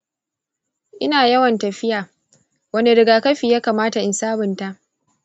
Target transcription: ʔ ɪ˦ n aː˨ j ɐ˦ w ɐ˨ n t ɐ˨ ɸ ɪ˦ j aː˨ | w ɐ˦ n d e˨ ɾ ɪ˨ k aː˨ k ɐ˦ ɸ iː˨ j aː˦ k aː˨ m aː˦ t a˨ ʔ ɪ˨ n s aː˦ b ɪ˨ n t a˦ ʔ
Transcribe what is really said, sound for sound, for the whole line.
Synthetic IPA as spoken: ʔ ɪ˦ n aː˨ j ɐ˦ w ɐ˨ n t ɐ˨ ɸ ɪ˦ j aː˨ | w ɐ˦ n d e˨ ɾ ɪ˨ ɡ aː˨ k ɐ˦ ɸ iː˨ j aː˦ k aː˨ m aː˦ t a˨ ʔ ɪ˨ n s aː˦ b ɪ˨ n t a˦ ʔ